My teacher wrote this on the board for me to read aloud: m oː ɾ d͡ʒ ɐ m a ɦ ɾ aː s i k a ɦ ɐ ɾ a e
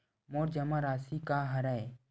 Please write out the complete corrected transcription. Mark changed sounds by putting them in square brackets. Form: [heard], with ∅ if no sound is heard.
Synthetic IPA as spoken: m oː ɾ d͡ʒ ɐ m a [∅] ɾ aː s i k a ɦ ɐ ɾ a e